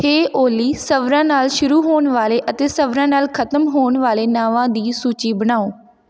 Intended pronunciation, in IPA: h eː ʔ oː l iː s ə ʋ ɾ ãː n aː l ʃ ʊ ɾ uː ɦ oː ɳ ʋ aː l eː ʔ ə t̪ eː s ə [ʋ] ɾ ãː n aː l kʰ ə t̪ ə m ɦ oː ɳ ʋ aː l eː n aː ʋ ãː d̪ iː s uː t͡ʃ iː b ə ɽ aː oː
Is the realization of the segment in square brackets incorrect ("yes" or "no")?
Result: no